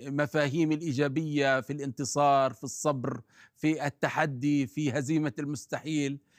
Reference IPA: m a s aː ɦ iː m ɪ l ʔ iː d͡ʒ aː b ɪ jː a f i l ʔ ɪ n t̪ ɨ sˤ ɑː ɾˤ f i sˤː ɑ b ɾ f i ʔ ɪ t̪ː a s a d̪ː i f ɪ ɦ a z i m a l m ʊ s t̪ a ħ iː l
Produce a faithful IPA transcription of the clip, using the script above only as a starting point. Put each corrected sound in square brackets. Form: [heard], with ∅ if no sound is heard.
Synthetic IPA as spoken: m a [f] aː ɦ iː m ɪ l ʔ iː d͡ʒ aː b ɪ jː a f i l ʔ ɪ n t̪ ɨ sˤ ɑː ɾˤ f i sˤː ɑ b ɾ f i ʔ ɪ t̪ː a [ħ] a d̪ː i f [i] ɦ a z [iː] m a l m ʊ s t̪ a ħ iː l